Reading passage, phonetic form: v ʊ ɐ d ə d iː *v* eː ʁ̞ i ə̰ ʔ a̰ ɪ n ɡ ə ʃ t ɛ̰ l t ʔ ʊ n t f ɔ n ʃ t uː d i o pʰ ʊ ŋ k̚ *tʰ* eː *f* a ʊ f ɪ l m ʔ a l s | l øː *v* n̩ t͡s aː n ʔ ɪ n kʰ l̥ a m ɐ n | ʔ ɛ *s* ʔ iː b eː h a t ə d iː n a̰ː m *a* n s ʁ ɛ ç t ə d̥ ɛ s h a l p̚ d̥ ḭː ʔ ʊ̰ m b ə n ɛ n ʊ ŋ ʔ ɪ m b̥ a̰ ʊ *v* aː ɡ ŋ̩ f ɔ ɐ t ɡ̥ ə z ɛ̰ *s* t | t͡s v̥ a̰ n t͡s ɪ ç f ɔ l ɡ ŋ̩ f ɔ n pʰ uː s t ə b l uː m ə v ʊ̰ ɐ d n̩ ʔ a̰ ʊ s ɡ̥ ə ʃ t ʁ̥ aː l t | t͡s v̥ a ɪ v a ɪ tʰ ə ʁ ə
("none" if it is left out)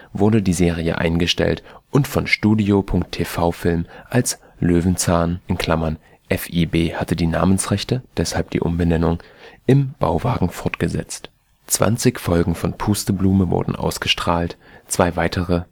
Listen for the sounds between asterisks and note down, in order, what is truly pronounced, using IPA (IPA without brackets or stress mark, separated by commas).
z, tʰ, f, v, f, ə, v, t͡s